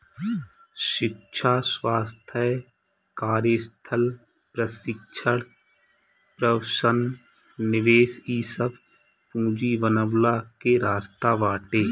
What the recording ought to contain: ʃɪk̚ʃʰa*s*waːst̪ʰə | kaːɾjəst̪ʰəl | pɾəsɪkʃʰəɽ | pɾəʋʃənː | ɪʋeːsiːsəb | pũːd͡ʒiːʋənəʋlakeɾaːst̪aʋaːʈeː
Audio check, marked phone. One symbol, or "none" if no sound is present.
s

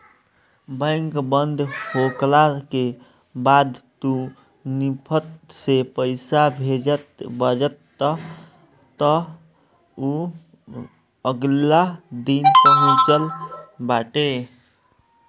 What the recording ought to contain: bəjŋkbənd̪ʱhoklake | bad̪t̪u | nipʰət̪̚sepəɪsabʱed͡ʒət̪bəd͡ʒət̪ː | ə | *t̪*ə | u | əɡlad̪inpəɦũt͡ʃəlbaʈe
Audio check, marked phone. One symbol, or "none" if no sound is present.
t̪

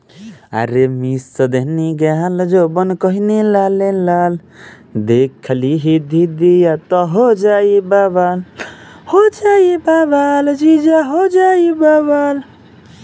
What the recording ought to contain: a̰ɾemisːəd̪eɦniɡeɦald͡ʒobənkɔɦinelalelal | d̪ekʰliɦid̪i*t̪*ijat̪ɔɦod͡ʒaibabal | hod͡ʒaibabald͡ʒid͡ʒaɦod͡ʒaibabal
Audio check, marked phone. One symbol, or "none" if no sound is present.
d̪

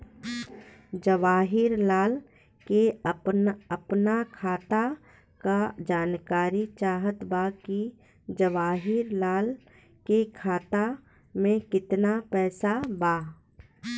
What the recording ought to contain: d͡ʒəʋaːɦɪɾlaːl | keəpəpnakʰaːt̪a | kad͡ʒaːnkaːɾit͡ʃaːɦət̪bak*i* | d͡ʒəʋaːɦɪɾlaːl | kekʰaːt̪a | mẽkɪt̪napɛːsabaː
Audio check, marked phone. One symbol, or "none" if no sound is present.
i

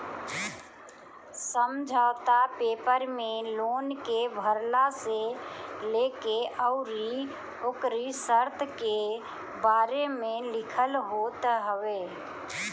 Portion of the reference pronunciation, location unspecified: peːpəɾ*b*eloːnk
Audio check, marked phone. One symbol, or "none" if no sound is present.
m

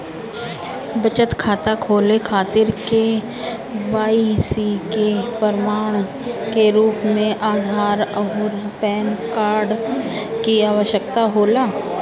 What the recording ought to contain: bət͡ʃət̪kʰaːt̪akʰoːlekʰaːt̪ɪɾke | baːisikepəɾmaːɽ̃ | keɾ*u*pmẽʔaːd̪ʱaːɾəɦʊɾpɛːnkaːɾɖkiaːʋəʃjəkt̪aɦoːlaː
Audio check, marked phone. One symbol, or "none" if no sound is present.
uː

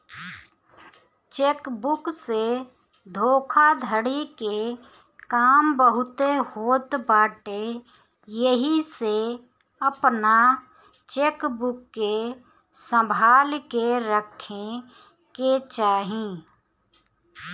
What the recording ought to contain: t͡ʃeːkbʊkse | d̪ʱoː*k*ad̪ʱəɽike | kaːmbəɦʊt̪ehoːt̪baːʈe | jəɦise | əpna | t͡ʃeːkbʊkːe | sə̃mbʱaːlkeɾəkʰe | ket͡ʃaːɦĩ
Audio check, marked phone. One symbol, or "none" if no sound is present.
kʰ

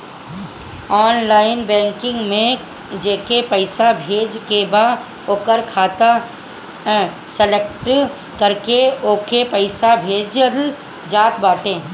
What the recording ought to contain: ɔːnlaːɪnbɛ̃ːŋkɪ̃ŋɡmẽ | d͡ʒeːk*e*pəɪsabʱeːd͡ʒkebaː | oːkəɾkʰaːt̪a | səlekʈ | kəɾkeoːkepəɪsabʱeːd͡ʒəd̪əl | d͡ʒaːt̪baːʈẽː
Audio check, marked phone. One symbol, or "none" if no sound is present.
e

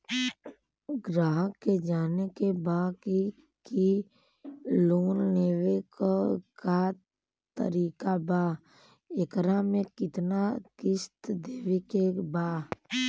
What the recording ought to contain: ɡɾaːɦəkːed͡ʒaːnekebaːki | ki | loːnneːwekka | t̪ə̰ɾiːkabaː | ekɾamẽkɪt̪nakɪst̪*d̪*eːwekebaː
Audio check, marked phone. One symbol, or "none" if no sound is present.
d̪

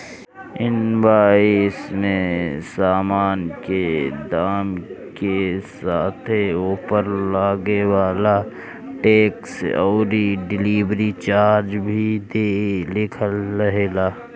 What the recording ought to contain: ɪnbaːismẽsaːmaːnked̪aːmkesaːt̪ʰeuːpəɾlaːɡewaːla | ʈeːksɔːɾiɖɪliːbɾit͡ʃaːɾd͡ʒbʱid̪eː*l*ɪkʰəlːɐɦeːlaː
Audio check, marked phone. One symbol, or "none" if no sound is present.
l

